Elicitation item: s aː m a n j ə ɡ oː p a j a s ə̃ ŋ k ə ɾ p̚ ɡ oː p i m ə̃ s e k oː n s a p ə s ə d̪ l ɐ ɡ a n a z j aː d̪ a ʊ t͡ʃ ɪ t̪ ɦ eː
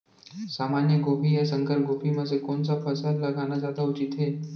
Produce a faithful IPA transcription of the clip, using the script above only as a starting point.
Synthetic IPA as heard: s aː m a n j ə ɡ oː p i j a s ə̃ ŋ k ə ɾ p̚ ɡ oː p i m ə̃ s e k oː n s a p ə s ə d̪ l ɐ ɡ a n a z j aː d̪ a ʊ t͡ʃ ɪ t̪ ɦ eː

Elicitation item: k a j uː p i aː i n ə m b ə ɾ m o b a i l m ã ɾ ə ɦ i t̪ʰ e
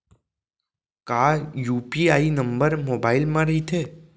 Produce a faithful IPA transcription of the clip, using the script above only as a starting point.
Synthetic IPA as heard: k a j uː p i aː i n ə m b ə ɾ m o b a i l m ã ɾ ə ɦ i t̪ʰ e

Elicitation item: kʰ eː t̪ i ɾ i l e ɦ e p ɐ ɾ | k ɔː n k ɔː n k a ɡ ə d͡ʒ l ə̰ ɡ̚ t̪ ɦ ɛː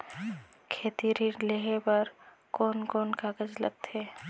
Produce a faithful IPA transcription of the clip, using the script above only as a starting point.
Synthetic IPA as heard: kʰ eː t̪ i ɾ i l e ɦ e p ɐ ɾ | k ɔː n k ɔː n k a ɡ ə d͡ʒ l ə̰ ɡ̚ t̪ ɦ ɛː

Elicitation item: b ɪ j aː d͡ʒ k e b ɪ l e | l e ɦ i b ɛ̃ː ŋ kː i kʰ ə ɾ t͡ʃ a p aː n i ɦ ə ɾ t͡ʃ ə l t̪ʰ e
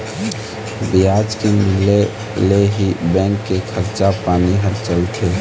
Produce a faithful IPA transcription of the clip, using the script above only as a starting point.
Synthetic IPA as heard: b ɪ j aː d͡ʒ k e m ɪ l e | l e ɦ i b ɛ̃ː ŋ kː e kʰ ə ɾ t͡ʃ a p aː n i ɦ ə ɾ t͡ʃ ə l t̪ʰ e

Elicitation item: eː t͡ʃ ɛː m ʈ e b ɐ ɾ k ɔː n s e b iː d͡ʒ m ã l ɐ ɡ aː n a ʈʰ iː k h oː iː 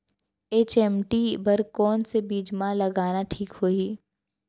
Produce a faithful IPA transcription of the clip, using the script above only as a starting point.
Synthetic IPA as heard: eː t͡ʃ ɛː m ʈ i b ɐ ɾ k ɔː n s e b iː d͡ʒ m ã l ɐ ɡ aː n a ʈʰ iː k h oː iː

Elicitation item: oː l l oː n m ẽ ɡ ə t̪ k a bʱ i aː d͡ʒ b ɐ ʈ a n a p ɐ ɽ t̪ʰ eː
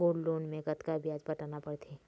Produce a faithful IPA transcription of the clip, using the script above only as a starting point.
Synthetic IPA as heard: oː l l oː n m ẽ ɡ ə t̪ k a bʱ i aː d͡ʒ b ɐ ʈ a n a p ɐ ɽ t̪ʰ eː

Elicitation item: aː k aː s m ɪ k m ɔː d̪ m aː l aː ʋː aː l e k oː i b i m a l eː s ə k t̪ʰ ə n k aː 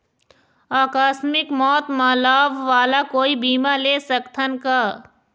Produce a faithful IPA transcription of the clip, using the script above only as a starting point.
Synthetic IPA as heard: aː k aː s m ɪ k m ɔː t̪ m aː l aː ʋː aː l a k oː i b iː m a l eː s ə k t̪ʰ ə n k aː

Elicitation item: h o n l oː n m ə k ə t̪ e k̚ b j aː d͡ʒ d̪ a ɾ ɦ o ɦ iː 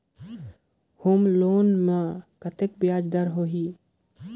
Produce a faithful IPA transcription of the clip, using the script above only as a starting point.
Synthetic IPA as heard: h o m l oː n m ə k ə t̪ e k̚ b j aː d͡ʒ d̪ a ɾ ɦ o ɦ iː

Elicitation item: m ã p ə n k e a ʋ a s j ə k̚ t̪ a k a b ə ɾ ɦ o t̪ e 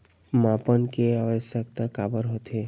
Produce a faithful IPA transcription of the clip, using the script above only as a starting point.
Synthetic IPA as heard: m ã p ə n k e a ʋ ə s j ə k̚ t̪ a k a b ə ɾ ɦ o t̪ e

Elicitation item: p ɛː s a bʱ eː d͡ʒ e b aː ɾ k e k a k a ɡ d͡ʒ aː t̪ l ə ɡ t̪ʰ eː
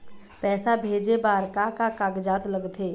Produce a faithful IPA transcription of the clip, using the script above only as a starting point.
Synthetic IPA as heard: p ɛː s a bʱ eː d͡ʒ e b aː ɾ k a k a k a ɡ d͡ʒ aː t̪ l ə ɡ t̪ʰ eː

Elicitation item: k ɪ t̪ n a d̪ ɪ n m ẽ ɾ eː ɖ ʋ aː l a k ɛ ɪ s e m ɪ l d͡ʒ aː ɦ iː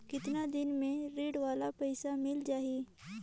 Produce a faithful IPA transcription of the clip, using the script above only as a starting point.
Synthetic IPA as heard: k ɪ t̪ n a d̪ ɪ n m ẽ ɾ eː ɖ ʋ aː l a p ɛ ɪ s a m ɪ l d͡ʒ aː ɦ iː

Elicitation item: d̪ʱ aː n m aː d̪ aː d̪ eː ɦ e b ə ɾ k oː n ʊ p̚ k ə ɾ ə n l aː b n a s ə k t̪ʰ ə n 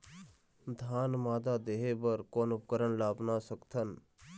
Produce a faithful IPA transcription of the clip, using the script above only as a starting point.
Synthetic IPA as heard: d̪ʱ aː n m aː d̪ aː d̪ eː ɦ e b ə ɾ k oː n ʊ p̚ k ə ɾ ə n l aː b n a s ə k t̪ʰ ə n

